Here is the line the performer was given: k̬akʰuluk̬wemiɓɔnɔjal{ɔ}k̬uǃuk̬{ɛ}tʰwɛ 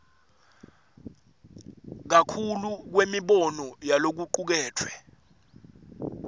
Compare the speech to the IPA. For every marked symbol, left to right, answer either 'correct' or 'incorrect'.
incorrect: o, incorrect: ɛː

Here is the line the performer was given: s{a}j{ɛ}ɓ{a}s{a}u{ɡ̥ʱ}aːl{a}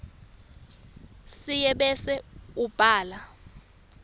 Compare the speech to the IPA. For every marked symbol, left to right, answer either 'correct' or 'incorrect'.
incorrect: i, correct, incorrect: ɛ, incorrect: ɛ, incorrect: b̥ʱ, correct

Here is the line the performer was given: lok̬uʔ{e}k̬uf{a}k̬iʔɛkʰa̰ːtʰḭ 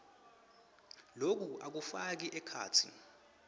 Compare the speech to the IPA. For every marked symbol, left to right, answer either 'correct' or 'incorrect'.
incorrect: a, correct

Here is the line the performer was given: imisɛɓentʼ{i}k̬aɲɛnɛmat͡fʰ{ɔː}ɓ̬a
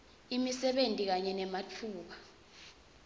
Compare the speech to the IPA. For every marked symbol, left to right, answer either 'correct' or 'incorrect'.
correct, incorrect: uː

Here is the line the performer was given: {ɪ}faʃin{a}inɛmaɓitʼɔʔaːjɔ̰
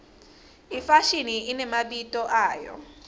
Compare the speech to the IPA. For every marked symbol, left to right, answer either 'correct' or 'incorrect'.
incorrect: i, incorrect: i

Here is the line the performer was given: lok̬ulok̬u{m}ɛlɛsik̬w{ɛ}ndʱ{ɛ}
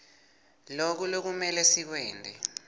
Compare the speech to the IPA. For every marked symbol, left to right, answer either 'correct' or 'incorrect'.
correct, incorrect: ɛː, correct

